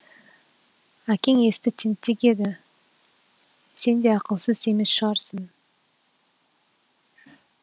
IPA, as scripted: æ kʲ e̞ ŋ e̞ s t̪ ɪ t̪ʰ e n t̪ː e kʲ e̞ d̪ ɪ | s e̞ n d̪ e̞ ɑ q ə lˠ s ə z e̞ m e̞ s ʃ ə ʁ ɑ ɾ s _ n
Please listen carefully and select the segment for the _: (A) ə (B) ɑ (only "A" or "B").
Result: A